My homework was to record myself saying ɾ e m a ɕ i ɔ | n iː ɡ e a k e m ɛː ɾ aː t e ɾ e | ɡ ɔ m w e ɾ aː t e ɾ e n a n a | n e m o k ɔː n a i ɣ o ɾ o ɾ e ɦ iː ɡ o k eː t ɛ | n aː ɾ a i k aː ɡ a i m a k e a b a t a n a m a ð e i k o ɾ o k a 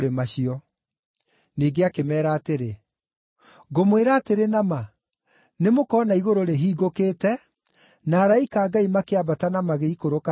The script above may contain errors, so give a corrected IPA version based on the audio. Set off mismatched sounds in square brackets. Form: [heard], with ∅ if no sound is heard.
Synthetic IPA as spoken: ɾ e m a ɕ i ɔ | n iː ɡ e a k e m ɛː ɾ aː t e ɾ e | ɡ [o] m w e ɾ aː t e ɾ e n a [m] a | n e m o k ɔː n a i ɣ o ɾ o ɾ e ɦ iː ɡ o k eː t ɛ | n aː ɾ a i k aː ɡ a i m a k e a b a t a n a m a [ɣ] e i k o ɾ o k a